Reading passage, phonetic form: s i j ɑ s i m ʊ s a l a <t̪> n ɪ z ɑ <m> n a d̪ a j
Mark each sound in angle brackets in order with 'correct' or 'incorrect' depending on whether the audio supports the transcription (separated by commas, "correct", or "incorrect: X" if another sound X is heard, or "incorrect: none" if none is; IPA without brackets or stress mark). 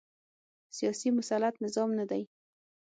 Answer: correct, correct